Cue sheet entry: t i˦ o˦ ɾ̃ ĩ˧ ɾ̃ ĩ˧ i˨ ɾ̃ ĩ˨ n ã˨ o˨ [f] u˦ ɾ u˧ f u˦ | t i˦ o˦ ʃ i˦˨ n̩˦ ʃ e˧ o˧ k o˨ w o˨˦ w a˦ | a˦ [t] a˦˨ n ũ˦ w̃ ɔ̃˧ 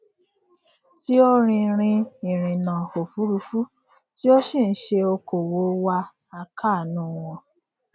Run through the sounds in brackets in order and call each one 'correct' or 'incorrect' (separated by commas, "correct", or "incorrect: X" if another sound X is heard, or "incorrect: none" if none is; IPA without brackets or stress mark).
correct, incorrect: k